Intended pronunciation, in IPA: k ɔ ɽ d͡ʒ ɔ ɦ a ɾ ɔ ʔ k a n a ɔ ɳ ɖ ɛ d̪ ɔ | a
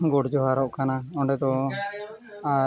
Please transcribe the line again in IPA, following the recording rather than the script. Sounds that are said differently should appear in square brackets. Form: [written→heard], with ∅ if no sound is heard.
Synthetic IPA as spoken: [k→ɡ] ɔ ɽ d͡ʒ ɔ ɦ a ɾ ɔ ʔ k a n a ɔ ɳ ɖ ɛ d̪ ɔ | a